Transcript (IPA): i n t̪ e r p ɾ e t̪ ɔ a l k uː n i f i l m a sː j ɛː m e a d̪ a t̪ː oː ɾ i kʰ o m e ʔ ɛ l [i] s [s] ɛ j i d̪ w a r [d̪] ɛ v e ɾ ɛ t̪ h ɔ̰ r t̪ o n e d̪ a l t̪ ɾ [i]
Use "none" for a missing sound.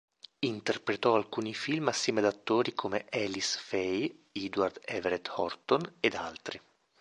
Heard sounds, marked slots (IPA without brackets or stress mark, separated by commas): i, f, d̪, i